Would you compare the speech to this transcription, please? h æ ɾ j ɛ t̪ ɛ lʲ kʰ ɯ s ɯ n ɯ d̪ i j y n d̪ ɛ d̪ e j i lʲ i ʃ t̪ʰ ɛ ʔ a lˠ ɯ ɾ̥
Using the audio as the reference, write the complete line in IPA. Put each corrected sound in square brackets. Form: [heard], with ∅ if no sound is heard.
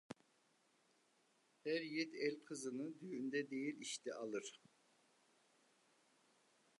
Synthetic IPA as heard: h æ ɾ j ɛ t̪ ɛ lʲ kʰ ɯ [z] ɯ n ɯ d̪ [y] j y n d̪ ɛ d̪ e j i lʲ i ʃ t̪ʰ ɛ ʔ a lˠ ɯ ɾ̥

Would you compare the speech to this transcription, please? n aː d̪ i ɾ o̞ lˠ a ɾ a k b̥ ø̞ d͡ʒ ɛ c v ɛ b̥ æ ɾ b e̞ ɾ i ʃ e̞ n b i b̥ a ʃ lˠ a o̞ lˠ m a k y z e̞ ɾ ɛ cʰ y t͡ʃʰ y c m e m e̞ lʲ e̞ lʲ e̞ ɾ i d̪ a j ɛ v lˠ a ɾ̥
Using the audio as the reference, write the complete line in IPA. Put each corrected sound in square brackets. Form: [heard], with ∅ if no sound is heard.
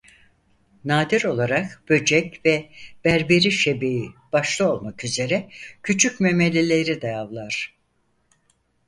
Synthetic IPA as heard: n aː d̪ i ɾ o̞ lˠ a ɾ a k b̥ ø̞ d͡ʒ ɛ c v ɛ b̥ æ ɾ b e̞ ɾ i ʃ e̞ [∅] b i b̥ a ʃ lˠ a o̞ lˠ m a k y z e̞ ɾ ɛ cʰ y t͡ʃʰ y c m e m e̞ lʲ e̞ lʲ e̞ ɾ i d̪ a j [a] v lˠ a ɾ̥

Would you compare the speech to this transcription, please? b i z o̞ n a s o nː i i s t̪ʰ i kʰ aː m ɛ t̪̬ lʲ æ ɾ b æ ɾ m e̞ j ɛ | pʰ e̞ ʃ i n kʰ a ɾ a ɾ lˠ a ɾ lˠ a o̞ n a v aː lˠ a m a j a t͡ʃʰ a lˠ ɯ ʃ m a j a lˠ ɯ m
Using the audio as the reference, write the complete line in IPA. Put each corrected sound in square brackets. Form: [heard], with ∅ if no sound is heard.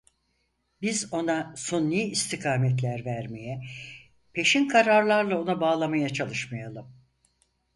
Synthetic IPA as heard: b i z o̞ n a s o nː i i s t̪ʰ i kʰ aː m ɛ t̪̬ lʲ æ ɾ [v] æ ɾ m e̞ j ɛ | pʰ e̞ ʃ i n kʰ a ɾ a ɾ lˠ a ɾ lˠ a o̞ n a [b] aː lˠ a m a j a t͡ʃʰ a lˠ ɯ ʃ m a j a lˠ ɯ m

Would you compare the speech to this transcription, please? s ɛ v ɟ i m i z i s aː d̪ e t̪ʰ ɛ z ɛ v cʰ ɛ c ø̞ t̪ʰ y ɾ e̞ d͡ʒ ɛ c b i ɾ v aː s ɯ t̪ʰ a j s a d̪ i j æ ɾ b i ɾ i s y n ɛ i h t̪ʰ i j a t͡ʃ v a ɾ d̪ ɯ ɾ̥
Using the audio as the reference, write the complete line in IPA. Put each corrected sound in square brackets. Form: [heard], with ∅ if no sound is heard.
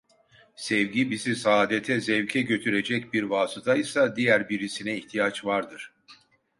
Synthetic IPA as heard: s ɛ v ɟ i [b] i z i s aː d̪ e t̪ʰ ɛ z ɛ v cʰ ɛ [ɟ] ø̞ t̪ʰ y ɾ e̞ d͡ʒ ɛ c b i ɾ v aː s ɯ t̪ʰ a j s a d̪ i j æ ɾ b i ɾ i s [i] n ɛ i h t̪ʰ i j a t͡ʃ v a ɾ d̪ ɯ ɾ̥

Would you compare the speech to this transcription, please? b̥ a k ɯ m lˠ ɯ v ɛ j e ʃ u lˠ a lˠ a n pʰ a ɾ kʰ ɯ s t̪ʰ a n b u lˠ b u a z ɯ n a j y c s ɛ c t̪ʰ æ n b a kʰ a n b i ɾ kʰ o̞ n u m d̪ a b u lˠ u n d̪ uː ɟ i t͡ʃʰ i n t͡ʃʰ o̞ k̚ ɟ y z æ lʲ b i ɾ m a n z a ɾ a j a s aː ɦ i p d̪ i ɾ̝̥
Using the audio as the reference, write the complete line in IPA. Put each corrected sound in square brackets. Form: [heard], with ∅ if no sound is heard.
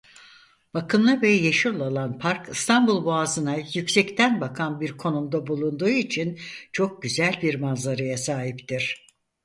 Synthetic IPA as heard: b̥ a k ɯ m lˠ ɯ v ɛ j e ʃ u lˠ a lˠ a n pʰ a ɾ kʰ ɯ s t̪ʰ a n b u lˠ b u a z ɯ n a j y c s ɛ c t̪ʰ æ n b a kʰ a n b i ɾ kʰ o̞ n u m d̪ a b u lˠ u n d̪ uː [∅] i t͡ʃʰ i n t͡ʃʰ o̞ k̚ ɟ y z æ lʲ b i ɾ m a n z a ɾ a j a s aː ɦ i p [t̪] i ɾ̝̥

